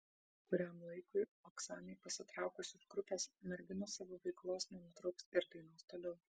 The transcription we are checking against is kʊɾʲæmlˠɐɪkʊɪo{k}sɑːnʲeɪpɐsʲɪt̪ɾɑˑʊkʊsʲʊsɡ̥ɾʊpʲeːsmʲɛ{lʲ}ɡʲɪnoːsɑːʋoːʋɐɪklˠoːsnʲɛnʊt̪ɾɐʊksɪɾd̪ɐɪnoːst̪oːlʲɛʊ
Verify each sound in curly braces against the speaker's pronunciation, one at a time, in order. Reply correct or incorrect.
correct, incorrect: ɾʲ

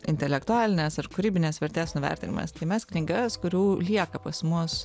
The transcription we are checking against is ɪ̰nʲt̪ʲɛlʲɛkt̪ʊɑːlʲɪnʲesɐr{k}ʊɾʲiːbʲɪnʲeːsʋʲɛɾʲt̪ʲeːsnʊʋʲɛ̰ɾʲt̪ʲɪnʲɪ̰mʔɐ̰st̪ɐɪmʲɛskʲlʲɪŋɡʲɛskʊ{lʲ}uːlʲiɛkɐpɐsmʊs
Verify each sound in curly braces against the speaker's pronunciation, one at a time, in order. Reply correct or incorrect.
correct, incorrect: ɾʲ

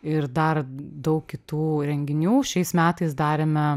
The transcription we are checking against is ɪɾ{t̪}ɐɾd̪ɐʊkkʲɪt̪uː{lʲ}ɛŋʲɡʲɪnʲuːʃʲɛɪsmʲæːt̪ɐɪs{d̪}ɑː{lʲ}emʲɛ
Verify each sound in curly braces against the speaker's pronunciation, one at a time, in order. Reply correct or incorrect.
incorrect: d̪, incorrect: ɾʲ, correct, incorrect: ɾʲ

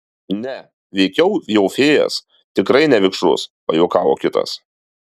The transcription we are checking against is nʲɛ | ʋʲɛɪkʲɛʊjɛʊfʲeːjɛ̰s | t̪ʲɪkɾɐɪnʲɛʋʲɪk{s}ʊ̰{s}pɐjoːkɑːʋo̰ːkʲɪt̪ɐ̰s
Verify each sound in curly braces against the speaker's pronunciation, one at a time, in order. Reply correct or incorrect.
incorrect: ʃ, correct

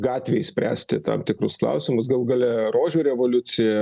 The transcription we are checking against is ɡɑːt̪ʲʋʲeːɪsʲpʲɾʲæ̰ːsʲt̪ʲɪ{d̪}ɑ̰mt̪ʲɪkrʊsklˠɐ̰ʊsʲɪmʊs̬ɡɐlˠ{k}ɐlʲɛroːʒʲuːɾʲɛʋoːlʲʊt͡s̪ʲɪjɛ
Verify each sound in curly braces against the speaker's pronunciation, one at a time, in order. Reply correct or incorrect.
incorrect: t̪, incorrect: ɡ

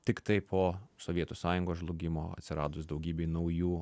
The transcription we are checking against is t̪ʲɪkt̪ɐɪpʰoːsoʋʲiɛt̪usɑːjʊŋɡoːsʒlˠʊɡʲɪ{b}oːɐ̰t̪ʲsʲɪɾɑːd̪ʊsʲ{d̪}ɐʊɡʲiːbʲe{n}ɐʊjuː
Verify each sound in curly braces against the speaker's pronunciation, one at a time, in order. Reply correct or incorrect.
incorrect: m, correct, correct

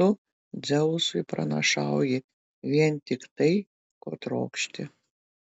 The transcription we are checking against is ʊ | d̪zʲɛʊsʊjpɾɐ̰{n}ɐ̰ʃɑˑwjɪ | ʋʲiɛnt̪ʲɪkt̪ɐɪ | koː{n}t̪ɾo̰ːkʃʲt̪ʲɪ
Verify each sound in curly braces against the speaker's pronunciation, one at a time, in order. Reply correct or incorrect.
correct, incorrect: none

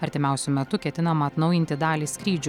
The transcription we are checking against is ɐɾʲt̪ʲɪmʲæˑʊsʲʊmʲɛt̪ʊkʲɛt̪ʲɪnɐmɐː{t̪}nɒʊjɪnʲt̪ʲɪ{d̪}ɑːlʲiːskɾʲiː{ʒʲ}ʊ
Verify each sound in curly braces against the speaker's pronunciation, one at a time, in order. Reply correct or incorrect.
correct, correct, incorrect: d͡ʒʲ

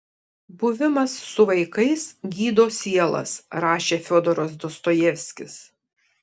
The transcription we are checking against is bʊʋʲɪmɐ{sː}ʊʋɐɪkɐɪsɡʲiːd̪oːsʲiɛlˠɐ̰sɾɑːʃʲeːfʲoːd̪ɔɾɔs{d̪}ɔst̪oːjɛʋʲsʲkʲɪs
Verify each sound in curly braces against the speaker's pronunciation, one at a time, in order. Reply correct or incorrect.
correct, correct

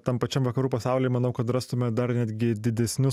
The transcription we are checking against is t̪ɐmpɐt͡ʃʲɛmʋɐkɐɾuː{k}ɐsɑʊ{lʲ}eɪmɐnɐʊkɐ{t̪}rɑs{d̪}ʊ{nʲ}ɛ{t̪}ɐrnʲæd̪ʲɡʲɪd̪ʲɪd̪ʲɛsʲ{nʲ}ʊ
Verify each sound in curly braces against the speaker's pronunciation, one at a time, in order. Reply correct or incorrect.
incorrect: p, correct, correct, incorrect: t̪, incorrect: mʲ, incorrect: d̪, correct

